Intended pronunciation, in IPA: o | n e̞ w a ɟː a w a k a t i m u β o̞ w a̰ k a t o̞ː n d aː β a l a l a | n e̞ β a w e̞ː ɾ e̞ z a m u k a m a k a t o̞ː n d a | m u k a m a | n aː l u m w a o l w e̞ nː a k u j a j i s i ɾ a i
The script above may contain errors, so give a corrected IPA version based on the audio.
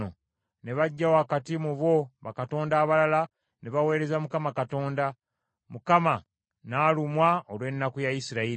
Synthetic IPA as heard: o | n e̞ β a ɟː a w a k a t i m u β o̞ β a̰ k a t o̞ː n d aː β a l a l a | n e̞ β a w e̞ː ɾ e̞ z a m u k a m a k a t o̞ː n d a | m u k a m a | n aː l u m w a o l w e̞ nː a k u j a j i s i ɾ a i